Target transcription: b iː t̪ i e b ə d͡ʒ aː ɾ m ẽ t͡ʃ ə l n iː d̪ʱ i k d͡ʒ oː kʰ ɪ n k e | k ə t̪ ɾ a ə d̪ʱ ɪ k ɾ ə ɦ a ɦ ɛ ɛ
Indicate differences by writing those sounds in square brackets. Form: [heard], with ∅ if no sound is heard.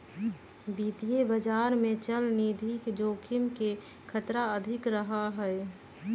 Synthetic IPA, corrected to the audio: b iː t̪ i e b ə d͡ʒ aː ɾ m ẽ t͡ʃ ə l n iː d̪ʱ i k d͡ʒ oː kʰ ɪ [m] k e | [kʰ] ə t̪ ɾ a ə d̪ʱ ɪ k ɾ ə ɦ a ɦ ɛ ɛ